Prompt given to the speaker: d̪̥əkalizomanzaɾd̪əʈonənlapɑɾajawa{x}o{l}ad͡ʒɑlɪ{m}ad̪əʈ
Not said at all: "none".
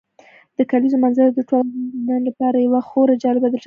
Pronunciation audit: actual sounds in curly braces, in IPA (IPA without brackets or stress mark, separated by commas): x, ɾ, b